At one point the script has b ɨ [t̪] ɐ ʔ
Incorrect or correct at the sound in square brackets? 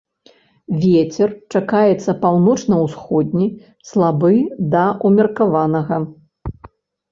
incorrect: d̪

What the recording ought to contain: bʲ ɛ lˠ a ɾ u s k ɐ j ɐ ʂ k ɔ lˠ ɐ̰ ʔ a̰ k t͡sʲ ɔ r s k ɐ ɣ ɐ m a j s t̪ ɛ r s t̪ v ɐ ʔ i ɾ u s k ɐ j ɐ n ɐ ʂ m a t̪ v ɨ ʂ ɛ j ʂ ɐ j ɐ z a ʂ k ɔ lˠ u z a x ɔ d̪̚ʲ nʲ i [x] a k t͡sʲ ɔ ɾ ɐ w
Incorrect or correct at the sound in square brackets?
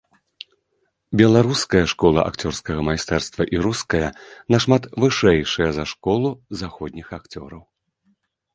correct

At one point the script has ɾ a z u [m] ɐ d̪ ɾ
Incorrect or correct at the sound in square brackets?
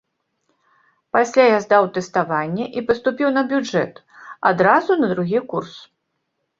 incorrect: n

